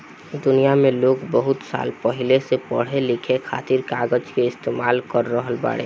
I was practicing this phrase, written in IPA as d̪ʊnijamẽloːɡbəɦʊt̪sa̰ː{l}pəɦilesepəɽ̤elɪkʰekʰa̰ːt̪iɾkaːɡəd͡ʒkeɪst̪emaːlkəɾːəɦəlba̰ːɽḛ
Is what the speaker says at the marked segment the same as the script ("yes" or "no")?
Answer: yes